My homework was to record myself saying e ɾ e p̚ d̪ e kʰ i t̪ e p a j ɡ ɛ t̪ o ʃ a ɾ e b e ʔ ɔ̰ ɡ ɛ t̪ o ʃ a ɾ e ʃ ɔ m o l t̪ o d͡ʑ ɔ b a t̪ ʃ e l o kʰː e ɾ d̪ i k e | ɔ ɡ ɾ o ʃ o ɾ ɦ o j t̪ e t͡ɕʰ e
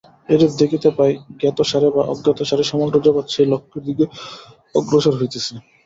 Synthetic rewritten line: e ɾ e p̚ d̪ e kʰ i t̪ e p a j ɡ ɛ t̪ o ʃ a ɾ e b a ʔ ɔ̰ ɡ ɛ t̪ o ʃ a ɾ e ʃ ɔ m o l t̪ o d͡ʑ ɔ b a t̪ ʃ e l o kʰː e ɾ d̪ i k e | ɔ ɡ ɾ o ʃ o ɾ ɦ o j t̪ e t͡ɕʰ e